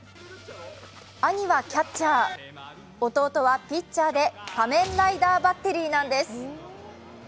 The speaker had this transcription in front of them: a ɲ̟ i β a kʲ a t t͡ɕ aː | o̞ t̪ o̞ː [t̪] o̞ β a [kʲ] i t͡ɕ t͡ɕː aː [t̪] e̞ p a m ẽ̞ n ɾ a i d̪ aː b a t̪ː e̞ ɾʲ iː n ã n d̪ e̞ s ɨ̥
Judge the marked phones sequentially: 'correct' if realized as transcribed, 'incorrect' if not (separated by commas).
correct, incorrect, incorrect